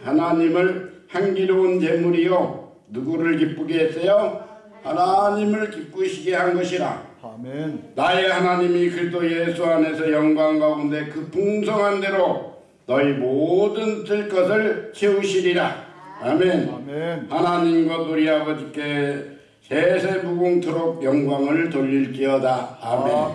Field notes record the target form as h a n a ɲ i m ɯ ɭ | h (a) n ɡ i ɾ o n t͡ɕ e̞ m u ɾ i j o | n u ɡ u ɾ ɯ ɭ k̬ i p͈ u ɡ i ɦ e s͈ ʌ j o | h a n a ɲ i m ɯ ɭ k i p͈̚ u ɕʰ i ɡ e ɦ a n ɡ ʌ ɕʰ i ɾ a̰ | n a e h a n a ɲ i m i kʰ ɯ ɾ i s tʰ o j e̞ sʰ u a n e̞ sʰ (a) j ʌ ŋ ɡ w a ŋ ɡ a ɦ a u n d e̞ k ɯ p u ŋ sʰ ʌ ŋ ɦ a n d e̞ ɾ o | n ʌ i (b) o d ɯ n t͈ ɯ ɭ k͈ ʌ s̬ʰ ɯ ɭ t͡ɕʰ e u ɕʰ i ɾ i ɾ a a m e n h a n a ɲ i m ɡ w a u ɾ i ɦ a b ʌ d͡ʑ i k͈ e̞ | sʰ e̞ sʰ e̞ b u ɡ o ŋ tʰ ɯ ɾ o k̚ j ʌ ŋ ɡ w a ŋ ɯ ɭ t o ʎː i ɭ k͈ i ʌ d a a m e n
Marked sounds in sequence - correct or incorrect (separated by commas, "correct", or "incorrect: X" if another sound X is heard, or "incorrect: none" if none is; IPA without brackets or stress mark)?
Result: correct, incorrect: ʌ, incorrect: m